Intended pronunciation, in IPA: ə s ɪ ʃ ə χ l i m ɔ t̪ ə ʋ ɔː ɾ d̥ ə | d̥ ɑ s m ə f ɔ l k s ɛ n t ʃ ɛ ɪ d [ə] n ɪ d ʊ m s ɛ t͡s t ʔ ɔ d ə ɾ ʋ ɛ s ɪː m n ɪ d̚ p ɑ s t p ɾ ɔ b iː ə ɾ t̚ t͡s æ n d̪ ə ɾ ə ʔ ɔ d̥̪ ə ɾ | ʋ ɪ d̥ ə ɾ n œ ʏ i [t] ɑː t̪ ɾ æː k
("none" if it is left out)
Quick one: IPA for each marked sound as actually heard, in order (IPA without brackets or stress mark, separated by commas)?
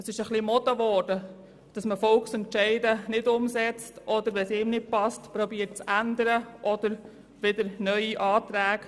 ə, ʔ